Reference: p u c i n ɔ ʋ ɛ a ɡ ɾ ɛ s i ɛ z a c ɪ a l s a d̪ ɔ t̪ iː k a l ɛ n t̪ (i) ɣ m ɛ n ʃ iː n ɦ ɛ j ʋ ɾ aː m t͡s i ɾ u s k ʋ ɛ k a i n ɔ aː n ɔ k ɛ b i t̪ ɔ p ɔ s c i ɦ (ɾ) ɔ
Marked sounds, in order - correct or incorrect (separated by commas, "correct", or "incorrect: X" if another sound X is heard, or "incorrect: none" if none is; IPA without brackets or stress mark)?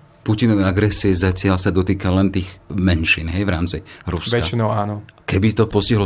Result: incorrect: iː, incorrect: l